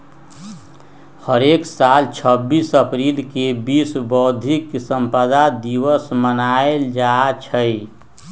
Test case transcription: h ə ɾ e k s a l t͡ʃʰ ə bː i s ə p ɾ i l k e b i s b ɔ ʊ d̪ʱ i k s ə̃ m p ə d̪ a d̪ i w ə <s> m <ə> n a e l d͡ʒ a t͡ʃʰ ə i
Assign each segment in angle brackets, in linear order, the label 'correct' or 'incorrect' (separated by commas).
correct, correct